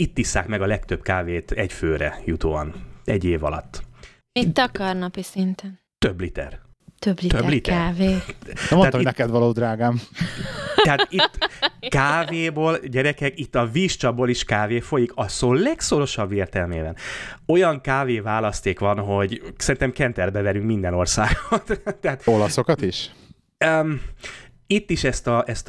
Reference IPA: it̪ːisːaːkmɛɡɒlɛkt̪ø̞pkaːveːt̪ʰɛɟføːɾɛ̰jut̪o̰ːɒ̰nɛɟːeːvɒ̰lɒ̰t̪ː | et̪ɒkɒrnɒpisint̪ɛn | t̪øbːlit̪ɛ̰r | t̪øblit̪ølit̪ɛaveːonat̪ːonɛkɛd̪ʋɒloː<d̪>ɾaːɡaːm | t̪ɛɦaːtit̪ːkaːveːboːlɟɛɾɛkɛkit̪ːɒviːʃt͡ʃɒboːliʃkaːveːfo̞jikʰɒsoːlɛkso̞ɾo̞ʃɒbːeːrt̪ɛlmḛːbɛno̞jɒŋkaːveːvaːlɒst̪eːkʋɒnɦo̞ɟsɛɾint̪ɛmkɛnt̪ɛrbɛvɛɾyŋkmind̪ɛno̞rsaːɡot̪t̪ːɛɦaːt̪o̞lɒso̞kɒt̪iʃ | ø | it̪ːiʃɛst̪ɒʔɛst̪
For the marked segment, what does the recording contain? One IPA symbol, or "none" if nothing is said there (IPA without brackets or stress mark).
d̪